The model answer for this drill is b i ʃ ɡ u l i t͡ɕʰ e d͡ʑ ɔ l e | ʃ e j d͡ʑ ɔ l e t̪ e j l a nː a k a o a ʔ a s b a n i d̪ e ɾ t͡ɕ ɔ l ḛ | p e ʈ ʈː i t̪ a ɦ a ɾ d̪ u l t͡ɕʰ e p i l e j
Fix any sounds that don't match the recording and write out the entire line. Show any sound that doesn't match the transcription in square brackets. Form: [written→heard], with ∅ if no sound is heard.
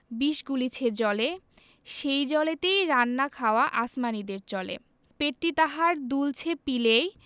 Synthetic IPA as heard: b i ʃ ɡ u l i t͡ɕʰ e d͡ʑ ɔ l e | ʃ e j d͡ʑ ɔ l e t̪ e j [l→ɾ] a nː a [k→kʰ] a o a ʔ a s [b→m] a n i d̪ e ɾ t͡ɕ ɔ l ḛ | p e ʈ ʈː i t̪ a ɦ a ɾ d̪ u l t͡ɕʰ e p i l e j

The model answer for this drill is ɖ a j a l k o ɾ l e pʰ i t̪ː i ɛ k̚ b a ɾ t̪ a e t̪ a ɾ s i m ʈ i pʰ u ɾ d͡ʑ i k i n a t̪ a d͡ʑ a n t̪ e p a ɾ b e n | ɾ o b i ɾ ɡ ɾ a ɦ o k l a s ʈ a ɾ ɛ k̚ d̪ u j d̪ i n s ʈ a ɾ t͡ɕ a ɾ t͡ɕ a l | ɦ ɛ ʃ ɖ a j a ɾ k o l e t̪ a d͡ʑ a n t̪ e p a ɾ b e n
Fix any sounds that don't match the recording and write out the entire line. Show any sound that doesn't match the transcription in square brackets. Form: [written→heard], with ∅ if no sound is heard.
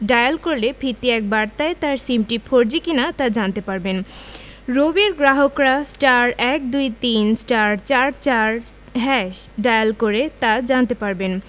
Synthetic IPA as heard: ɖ a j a l k o ɾ l e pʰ i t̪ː i ɛ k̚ b a ɾ t̪ a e t̪ a ɾ s i m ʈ i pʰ [u→o] ɾ d͡ʑ i k i n a t̪ a d͡ʑ a n t̪ e p a ɾ b e n | ɾ o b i ɾ ɡ ɾ a ɦ o k [l→ɾ] a s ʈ a ɾ ɛ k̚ d̪ u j [d̪→t̪] i n s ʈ a ɾ t͡ɕ a ɾ t͡ɕ a [l→ɾ] | ɦ ɛ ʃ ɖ a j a [ɾ→l] k o [l→ɾ] e t̪ a d͡ʑ a n t̪ e p a ɾ b e n

